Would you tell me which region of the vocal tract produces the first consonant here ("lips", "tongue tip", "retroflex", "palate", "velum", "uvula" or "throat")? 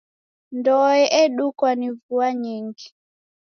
tongue tip